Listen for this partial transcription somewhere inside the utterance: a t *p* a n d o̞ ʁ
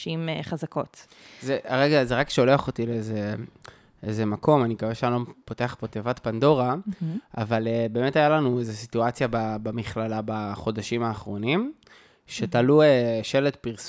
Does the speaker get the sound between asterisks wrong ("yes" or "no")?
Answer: no